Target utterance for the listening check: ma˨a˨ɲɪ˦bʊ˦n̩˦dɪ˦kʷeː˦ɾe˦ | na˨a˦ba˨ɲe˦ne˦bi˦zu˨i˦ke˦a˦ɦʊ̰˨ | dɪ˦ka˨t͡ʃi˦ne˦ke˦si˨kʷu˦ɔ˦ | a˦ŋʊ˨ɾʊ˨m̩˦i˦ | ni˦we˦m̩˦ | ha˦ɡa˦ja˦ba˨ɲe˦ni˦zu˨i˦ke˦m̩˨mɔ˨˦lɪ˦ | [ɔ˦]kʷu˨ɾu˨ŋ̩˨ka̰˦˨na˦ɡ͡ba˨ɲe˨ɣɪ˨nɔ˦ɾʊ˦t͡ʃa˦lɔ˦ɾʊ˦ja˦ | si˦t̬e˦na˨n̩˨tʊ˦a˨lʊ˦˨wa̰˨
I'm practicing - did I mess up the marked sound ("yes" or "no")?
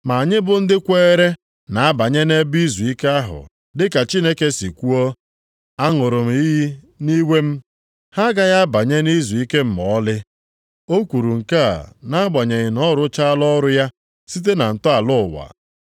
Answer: yes